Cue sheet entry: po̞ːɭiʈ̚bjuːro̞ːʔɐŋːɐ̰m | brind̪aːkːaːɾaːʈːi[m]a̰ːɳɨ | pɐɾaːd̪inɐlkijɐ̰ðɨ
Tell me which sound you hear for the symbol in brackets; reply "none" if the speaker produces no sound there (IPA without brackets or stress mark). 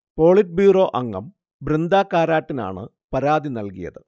n